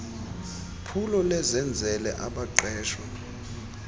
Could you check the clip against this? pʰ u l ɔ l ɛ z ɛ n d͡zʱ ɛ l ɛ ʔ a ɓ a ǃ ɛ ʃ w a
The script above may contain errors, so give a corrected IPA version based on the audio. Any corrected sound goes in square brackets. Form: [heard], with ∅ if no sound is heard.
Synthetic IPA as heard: pʰ u l ɔ l ɛ z ɛ n d͡zʱ ɛ l ɛ ʔ a ɓ a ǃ [ɛː] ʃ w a